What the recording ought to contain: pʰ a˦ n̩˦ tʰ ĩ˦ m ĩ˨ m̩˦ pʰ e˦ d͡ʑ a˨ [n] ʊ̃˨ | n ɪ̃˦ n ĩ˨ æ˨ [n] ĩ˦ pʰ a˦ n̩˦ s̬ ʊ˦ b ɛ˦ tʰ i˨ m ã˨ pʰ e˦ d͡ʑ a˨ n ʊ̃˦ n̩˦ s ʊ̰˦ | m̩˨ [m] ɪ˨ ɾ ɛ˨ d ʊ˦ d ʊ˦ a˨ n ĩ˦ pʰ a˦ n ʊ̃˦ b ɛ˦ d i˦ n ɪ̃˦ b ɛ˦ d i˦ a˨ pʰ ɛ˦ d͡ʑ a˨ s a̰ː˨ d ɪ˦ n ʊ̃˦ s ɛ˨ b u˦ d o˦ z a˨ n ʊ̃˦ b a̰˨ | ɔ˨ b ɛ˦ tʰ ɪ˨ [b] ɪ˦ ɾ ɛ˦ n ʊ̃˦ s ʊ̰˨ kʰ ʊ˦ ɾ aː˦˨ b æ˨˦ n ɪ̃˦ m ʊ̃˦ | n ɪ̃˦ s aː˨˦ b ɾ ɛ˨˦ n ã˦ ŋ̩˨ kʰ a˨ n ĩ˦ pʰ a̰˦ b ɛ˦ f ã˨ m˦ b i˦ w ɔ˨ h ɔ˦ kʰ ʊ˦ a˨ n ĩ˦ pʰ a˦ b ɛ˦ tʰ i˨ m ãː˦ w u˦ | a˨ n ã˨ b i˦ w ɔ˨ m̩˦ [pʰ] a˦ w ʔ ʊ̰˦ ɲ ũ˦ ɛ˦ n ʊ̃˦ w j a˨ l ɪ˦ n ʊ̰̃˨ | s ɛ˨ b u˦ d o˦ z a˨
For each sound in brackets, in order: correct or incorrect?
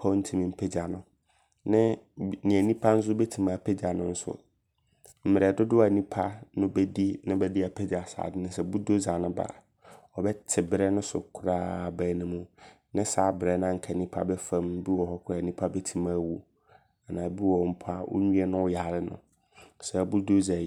correct, correct, correct, correct, correct

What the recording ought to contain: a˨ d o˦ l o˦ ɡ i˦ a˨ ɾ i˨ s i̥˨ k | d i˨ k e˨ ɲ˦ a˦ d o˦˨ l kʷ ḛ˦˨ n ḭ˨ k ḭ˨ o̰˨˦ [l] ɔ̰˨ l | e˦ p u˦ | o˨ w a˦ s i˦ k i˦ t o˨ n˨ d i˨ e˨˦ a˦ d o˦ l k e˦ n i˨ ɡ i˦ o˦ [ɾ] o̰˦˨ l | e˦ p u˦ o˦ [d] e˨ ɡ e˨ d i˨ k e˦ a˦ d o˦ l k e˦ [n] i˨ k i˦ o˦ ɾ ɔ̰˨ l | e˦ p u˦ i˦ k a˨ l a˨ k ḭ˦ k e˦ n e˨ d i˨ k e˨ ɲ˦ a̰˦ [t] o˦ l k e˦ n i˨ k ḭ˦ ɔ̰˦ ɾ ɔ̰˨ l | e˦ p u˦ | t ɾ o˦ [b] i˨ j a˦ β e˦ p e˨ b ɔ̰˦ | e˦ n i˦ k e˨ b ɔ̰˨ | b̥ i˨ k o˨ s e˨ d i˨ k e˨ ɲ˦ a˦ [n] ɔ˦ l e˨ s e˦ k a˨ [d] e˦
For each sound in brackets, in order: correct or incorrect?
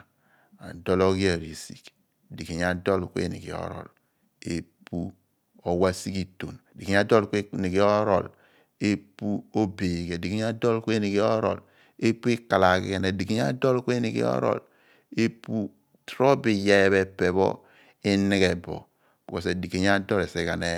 incorrect: ɾ, correct, incorrect: b, correct, incorrect: d, correct, incorrect: d, incorrect: n

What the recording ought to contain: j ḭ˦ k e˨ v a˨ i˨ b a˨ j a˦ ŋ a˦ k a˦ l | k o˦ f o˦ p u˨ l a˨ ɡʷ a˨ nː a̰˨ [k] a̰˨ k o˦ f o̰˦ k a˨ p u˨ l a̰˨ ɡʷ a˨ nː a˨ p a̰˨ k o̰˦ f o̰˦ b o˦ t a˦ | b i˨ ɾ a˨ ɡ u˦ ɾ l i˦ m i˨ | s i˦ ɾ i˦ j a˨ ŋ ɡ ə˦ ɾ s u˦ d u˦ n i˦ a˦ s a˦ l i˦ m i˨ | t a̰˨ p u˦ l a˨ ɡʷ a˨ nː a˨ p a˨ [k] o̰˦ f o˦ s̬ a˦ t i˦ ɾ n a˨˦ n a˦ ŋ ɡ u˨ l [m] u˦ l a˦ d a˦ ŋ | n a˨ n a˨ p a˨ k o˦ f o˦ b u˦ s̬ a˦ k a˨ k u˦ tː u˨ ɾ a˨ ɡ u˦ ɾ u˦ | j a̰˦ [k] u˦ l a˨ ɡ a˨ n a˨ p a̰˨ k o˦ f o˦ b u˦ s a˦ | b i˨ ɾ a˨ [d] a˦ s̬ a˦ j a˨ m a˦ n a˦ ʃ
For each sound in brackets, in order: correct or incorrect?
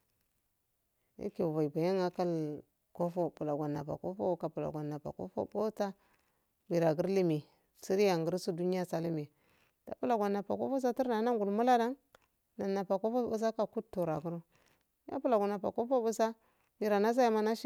incorrect: p, correct, correct, incorrect: p, incorrect: n

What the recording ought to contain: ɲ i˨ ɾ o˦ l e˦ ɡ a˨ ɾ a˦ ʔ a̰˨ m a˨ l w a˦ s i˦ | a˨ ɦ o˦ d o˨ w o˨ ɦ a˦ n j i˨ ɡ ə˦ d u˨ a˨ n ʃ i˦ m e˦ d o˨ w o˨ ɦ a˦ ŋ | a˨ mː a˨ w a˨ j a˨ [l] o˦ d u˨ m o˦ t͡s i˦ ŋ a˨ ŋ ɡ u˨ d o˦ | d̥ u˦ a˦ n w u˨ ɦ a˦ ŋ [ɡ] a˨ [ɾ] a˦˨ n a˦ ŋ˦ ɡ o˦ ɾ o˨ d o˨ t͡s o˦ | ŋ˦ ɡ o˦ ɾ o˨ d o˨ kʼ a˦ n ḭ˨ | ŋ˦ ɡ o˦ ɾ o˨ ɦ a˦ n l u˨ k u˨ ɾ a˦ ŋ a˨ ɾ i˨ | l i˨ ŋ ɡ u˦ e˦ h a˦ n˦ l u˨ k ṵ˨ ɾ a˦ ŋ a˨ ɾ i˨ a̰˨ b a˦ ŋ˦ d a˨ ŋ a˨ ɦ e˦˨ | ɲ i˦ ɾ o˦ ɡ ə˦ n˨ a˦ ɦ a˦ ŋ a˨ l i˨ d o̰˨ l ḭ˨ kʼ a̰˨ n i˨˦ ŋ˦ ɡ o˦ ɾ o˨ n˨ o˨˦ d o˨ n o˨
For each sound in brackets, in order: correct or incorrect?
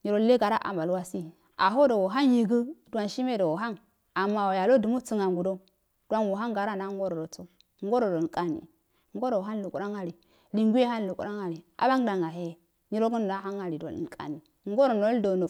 correct, correct, correct

